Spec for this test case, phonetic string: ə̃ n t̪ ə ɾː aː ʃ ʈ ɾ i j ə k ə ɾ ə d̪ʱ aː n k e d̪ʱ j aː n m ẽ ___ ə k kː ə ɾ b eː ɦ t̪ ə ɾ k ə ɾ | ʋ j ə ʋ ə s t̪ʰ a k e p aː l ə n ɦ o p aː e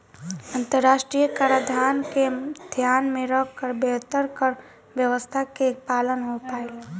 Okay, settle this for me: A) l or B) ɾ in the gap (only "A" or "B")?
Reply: B